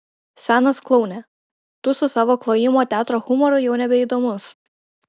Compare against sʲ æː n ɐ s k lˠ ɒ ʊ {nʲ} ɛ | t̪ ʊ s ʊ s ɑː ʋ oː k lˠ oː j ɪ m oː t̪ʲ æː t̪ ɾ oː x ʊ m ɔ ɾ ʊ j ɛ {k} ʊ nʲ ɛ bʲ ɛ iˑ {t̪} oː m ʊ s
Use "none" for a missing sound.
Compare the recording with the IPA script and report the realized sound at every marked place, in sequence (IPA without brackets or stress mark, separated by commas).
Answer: nʲ, none, d̪